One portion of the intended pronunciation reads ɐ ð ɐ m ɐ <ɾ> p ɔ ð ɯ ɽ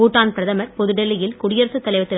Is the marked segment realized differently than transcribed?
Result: no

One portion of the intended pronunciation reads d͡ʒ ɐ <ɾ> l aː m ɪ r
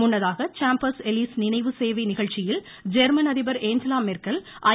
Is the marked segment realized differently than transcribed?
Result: yes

